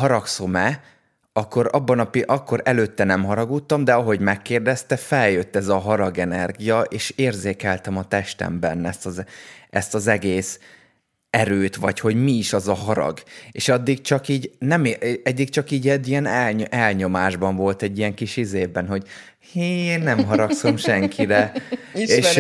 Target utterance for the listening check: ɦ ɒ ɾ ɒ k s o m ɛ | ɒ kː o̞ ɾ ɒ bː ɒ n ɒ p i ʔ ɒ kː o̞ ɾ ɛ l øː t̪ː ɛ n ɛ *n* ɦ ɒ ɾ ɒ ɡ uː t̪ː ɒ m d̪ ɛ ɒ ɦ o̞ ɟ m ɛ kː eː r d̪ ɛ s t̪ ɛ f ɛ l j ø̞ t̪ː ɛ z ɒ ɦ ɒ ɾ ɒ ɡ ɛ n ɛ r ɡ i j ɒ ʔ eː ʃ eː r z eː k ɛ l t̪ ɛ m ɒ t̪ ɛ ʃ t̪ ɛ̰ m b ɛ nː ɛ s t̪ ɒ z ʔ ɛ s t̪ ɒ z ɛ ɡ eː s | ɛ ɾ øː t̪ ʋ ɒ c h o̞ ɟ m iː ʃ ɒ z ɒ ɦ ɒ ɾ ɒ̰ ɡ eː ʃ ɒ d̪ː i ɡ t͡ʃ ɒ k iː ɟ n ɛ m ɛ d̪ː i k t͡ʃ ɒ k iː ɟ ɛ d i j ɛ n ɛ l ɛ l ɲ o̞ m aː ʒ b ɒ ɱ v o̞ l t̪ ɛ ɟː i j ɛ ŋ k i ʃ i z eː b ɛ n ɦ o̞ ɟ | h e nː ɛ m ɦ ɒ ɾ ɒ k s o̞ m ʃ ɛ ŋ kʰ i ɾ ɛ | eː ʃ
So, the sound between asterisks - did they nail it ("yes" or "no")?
no